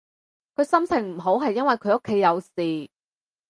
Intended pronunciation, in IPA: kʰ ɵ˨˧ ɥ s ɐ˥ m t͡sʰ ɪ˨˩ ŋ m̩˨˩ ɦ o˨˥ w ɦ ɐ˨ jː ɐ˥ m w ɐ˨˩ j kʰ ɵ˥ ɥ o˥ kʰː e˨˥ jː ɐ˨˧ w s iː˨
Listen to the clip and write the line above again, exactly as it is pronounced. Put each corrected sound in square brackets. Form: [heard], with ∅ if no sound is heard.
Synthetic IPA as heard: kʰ ɵ˨˧ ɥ s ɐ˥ m t͡sʰ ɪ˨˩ ŋ m̩˨˩ ɦ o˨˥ w ɦ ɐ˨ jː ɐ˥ [n] w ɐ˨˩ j kʰ [ɵ˨˧] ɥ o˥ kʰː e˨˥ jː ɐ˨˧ w s iː˨